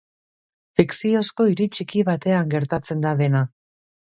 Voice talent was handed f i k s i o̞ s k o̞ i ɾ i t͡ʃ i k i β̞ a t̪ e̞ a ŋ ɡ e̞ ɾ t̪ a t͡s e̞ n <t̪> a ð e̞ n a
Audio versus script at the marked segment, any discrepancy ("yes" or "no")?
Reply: yes